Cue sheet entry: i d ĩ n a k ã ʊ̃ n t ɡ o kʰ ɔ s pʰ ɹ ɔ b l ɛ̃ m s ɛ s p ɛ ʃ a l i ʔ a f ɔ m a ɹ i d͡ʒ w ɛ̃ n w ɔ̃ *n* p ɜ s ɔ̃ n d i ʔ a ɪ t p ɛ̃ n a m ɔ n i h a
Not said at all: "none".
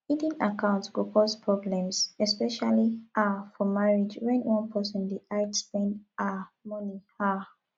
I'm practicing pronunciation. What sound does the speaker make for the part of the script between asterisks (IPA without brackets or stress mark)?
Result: n